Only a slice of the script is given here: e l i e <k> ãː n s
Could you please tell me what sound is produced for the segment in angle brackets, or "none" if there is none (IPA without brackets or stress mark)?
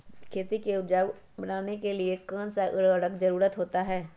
k